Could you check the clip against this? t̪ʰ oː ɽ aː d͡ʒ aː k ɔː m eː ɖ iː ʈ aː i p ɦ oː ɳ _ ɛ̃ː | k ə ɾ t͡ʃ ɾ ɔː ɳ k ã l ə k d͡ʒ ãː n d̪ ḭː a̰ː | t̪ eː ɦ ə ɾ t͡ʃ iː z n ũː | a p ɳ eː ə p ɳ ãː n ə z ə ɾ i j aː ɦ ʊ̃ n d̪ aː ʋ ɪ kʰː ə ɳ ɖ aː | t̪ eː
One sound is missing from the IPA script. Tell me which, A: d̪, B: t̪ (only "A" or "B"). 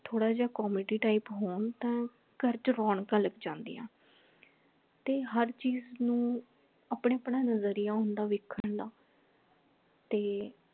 B